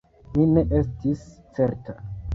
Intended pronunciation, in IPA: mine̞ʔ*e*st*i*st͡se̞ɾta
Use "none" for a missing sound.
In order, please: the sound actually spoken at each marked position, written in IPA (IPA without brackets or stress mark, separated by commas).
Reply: e, i